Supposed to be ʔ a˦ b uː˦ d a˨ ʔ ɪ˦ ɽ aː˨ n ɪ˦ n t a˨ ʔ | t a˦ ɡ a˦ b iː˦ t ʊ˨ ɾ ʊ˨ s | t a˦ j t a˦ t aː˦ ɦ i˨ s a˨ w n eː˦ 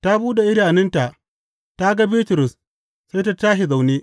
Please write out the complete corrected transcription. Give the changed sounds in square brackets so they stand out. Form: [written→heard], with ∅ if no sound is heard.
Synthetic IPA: [ʔ→t] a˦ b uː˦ d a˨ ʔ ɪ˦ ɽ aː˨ n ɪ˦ n t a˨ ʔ | t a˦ ɡ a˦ b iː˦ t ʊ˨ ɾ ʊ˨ s | [t→s] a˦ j t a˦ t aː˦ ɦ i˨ [s→z] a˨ w n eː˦

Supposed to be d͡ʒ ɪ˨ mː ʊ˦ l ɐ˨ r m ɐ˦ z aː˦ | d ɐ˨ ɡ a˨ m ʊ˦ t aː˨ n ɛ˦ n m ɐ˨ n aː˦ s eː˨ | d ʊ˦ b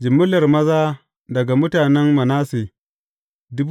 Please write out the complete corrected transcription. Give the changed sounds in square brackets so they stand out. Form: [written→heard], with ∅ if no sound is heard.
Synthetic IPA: d͡ʒ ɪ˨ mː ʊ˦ l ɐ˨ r m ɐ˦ z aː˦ | d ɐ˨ ɡ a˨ m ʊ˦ t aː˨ n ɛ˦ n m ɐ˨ n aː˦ s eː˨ | d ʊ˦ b

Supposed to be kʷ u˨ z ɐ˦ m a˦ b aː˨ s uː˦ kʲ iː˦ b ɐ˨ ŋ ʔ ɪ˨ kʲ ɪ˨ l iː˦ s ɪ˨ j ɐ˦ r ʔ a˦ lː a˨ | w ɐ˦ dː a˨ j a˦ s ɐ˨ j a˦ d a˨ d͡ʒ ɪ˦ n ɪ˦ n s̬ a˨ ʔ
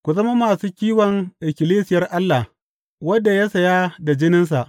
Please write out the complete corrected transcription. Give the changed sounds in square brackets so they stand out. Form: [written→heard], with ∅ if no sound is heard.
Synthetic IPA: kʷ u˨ z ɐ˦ m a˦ [b→m] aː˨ s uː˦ kʲ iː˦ [b→w] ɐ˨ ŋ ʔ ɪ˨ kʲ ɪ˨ l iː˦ s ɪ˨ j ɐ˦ r ʔ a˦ lː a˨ | w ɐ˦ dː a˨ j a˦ s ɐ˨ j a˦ d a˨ d͡ʒ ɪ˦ n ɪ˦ n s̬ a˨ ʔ

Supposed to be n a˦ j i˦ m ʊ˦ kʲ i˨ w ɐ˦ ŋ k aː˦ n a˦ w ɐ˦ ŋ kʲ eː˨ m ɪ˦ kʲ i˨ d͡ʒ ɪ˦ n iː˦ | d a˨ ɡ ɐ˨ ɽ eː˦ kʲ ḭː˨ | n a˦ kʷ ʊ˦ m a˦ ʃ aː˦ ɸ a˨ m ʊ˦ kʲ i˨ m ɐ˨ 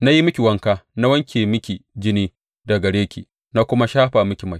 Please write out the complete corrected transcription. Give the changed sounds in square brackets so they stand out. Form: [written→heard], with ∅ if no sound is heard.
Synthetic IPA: n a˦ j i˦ m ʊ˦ kʲ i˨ w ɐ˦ ŋ k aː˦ n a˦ w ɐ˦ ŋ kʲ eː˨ m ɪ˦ kʲ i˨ d͡ʒ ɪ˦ n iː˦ | d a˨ ɡ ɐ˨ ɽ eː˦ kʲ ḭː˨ | n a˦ kʷ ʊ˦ m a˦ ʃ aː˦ ɸ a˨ m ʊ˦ kʲ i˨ m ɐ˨

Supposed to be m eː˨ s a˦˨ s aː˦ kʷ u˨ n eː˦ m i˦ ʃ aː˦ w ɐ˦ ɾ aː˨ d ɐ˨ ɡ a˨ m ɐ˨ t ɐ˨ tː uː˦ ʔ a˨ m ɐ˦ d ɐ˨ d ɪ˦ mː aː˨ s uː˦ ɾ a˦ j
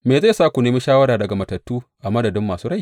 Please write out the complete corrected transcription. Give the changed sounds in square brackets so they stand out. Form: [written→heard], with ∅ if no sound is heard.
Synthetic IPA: m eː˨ [s→z] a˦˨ s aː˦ kʷ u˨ n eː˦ m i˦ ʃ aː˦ w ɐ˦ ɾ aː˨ d ɐ˨ ɡ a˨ m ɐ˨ t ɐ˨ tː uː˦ ʔ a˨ m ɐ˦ d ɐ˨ d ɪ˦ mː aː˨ s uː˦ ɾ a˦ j

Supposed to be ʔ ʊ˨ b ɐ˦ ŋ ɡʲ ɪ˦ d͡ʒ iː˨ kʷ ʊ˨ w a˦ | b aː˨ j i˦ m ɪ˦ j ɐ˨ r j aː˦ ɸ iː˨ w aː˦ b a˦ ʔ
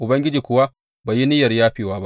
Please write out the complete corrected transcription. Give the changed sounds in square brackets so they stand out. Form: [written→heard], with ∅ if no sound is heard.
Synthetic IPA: ʔ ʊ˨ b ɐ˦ ŋ ɡʲ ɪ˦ d͡ʒ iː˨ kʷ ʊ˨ w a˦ | b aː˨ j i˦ [m→n] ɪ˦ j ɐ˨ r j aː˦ ɸ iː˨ w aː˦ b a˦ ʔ

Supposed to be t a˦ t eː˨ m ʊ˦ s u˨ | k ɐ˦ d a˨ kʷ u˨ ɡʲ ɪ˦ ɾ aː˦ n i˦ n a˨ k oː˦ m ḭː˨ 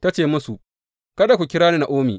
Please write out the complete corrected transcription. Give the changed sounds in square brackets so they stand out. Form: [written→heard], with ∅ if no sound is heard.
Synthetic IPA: t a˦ [t→t͡ʃ] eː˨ m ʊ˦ s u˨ | k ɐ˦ d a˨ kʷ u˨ [ɡʲ→kʲ] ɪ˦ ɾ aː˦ n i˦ n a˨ [k→ʔ] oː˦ m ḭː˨

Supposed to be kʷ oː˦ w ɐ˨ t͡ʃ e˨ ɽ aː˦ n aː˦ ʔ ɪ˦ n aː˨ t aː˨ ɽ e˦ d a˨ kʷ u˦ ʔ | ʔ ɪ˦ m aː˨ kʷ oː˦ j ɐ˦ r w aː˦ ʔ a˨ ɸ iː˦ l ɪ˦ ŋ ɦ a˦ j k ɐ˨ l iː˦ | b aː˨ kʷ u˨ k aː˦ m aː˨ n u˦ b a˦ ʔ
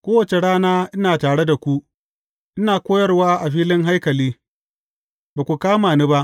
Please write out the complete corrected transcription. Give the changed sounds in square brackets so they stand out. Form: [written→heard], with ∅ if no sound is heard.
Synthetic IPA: kʷ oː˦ w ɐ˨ t͡ʃ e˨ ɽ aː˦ n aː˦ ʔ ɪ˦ n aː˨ t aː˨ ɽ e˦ d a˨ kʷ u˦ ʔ | ʔ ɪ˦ [m→n] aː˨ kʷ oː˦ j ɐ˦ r w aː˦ ʔ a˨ ɸ iː˦ l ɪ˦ ŋ ɦ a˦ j k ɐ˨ l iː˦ | b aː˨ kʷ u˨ k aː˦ m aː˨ n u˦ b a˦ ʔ

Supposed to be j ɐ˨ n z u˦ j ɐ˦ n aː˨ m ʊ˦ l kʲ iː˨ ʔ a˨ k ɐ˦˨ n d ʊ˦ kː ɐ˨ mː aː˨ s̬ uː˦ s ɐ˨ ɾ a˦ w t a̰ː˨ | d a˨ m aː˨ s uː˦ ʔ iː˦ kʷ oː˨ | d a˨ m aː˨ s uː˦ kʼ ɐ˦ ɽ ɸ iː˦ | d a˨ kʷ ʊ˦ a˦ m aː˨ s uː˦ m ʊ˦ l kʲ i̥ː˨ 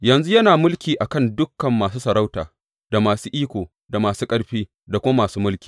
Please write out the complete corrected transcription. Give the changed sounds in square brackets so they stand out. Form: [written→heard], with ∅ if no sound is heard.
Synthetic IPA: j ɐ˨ n z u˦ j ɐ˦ n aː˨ m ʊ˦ l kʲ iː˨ ʔ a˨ k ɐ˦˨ n d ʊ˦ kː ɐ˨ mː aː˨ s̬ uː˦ s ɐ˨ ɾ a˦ w t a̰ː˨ | d a˨ m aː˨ s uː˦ ʔ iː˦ kʷ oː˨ | d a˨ m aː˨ s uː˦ kʼ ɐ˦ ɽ ɸ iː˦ | d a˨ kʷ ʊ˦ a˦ m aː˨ s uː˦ m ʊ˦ l kʲ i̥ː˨

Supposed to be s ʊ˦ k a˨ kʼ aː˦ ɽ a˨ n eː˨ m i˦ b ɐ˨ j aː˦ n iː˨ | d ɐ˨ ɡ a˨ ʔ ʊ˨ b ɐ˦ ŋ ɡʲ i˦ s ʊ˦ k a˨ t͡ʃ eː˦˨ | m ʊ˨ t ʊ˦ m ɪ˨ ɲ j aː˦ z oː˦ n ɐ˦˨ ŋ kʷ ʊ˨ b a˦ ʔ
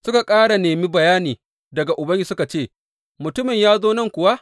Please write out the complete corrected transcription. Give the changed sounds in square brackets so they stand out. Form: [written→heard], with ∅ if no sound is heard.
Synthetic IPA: s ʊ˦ k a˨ kʼ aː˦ ɽ a˨ n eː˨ m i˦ b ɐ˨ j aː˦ n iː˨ | d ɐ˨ ɡ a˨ ʔ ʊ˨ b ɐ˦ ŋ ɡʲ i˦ s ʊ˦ k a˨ t͡ʃ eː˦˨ | m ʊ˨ t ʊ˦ m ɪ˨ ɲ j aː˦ z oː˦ n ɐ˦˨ ŋ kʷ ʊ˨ [b→w] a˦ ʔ

